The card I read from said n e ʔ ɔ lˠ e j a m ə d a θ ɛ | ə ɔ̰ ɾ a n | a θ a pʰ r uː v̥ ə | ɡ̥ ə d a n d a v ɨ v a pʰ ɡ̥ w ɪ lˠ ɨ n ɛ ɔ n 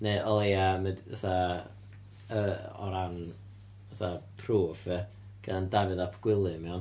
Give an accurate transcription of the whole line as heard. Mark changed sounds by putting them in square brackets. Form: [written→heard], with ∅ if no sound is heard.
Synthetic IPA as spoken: n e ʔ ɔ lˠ e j a m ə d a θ [ɛ→a] | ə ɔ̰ ɾ a n | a θ a pʰ r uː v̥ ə | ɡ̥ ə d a n d a v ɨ [v→ð] a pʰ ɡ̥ w ɪ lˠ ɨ [n→m] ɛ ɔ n